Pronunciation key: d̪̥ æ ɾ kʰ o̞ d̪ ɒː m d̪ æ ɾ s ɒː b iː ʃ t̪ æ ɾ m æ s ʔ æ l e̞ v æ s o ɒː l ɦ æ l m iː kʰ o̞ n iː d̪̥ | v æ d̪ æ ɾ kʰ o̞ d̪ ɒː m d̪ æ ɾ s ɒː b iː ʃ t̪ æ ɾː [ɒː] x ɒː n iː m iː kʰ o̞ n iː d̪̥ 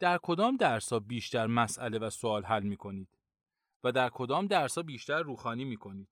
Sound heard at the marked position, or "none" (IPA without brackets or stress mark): uː